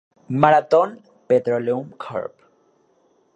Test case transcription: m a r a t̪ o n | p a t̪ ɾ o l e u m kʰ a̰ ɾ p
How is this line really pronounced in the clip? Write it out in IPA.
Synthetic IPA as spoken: m a ɾ a t̪ o n | p e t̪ ɾ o l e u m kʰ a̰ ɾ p